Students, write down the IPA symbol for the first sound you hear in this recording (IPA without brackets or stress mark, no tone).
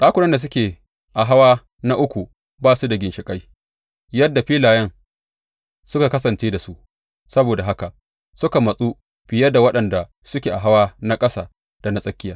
ɗ